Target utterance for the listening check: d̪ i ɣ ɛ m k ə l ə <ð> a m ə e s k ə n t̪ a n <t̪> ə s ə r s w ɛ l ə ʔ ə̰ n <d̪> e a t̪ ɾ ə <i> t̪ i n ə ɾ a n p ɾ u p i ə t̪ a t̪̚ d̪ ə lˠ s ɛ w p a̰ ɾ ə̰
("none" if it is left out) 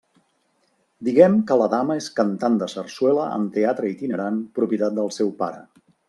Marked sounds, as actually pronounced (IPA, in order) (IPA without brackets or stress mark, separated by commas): ð, d̪, t̪, i